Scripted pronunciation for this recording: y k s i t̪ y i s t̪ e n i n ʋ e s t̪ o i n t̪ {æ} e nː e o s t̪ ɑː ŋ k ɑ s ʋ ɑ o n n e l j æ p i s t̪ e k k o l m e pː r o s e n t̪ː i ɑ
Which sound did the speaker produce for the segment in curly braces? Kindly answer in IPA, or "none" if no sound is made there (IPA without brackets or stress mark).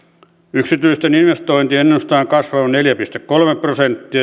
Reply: i